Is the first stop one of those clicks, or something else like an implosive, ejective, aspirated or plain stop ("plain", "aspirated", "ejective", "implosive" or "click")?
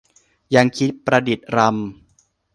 aspirated